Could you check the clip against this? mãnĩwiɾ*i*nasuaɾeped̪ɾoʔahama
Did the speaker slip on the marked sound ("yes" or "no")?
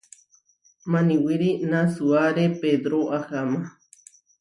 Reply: no